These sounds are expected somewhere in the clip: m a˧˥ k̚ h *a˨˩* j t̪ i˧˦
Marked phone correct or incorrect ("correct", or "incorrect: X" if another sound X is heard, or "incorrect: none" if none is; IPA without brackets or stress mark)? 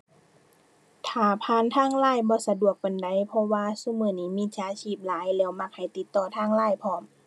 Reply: correct